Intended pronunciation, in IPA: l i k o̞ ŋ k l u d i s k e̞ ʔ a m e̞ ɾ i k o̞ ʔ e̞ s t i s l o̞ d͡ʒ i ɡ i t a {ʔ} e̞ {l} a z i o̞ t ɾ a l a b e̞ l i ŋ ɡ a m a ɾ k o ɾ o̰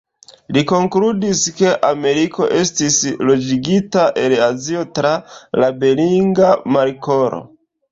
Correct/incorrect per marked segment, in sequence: correct, correct

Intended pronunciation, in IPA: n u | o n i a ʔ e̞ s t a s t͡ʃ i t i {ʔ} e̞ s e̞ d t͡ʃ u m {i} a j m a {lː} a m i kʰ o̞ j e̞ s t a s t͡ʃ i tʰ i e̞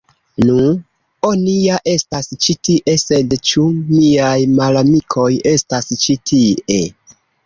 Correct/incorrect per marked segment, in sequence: correct, correct, incorrect: l

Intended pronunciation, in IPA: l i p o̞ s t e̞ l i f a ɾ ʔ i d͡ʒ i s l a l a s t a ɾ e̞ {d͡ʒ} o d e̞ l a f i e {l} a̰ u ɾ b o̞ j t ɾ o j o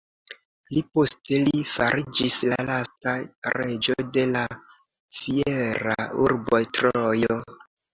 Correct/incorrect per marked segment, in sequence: correct, incorrect: ɾ

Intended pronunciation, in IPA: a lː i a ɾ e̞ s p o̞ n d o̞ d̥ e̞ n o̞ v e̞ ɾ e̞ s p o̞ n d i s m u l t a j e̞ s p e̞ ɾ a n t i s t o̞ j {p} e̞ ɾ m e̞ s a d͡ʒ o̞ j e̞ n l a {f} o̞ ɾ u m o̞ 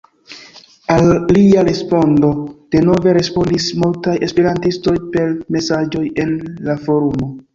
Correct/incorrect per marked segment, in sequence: correct, correct

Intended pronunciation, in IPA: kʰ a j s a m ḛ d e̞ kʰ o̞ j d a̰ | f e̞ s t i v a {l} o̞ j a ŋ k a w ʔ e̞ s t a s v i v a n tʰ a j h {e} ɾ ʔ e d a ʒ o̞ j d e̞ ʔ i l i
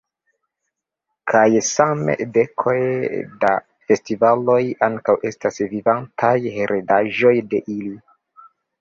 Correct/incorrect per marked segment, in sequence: correct, correct

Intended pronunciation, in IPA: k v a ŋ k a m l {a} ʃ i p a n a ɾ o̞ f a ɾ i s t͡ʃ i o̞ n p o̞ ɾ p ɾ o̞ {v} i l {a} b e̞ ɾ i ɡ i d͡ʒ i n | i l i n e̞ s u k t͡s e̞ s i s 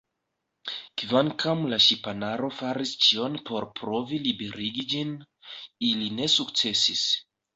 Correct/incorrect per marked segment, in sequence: correct, correct, incorrect: i

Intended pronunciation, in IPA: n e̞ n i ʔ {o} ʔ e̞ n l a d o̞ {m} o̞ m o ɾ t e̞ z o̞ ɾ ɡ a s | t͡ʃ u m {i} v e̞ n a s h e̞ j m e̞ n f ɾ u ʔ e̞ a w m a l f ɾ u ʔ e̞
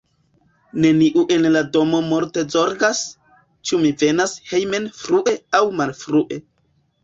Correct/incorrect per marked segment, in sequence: incorrect: u, correct, correct

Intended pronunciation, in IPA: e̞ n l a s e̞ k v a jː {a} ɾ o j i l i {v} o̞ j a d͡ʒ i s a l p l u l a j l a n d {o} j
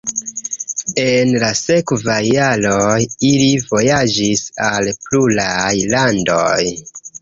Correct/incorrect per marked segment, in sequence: correct, correct, correct

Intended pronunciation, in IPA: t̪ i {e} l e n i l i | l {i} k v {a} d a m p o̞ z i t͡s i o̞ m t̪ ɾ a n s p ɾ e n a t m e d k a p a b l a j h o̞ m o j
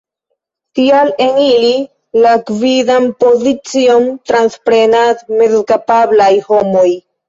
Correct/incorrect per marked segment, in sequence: incorrect: a, incorrect: a, incorrect: i

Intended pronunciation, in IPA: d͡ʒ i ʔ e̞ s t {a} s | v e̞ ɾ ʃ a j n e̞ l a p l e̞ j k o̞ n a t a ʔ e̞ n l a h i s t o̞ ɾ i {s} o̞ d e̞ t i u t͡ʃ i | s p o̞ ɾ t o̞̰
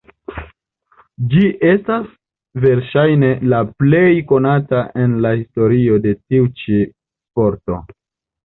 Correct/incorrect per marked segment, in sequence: correct, incorrect: none

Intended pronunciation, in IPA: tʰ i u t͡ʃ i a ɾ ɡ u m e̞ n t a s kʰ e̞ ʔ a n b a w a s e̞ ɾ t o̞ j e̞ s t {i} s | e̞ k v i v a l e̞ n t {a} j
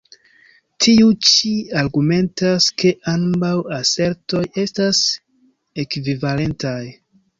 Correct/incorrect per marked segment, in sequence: incorrect: a, correct

